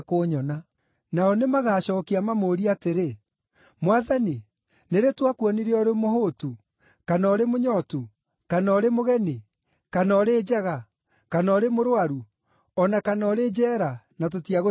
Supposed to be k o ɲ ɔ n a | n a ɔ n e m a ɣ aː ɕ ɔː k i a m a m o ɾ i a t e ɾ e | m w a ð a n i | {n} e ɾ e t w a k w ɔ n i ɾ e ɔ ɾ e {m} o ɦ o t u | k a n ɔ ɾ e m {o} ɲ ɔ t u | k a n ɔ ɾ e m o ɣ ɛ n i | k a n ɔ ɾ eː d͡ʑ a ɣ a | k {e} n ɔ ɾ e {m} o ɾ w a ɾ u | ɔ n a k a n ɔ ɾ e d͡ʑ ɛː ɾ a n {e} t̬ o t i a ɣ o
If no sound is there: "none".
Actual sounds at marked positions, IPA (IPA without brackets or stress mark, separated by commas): n, m, o, a, m, a